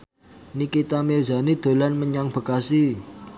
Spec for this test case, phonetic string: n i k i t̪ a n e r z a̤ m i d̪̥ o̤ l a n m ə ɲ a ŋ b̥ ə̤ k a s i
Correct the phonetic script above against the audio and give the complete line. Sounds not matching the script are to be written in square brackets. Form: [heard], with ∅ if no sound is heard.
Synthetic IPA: n i k i t̪ a [m] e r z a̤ [n] i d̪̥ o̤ l a n m ə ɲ a ŋ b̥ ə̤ k a s i